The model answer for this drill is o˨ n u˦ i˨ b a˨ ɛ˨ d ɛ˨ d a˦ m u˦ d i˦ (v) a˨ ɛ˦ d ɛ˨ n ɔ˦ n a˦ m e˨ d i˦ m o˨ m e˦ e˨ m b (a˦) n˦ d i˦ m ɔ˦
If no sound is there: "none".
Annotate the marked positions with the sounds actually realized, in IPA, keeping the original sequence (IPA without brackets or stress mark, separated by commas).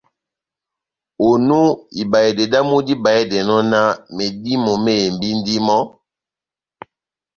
b, i˦